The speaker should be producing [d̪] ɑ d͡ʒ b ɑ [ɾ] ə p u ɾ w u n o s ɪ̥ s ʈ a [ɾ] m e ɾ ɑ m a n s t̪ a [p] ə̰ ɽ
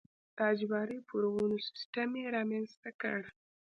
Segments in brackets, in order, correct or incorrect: incorrect, correct, incorrect, incorrect

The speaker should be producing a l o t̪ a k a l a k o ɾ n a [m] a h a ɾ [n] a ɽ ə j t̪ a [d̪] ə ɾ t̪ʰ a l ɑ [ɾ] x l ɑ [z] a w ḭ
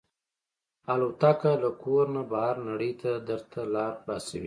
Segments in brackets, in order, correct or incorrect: incorrect, correct, correct, correct, incorrect

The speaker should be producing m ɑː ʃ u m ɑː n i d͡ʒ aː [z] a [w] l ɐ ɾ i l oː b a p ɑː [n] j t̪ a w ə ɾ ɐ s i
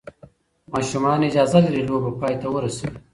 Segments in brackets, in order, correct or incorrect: correct, incorrect, incorrect

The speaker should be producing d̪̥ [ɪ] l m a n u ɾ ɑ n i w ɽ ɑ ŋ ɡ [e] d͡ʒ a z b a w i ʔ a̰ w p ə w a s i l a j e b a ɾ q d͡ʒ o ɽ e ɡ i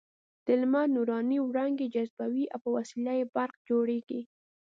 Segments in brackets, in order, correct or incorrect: correct, correct

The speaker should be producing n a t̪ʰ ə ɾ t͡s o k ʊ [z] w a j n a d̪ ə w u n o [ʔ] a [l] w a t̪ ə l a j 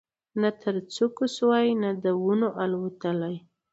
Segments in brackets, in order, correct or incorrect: incorrect, correct, correct

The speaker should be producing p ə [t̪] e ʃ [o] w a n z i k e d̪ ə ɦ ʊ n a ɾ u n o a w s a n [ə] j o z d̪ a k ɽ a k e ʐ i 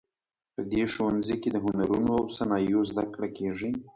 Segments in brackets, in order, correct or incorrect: incorrect, correct, incorrect

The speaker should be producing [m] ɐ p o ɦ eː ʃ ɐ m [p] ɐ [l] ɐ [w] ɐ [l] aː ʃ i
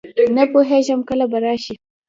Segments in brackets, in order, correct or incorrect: incorrect, incorrect, correct, incorrect, incorrect

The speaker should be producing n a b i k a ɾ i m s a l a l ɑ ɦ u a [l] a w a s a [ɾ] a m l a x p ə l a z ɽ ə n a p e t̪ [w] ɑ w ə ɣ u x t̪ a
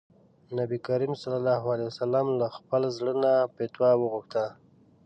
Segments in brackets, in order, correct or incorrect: correct, incorrect, correct

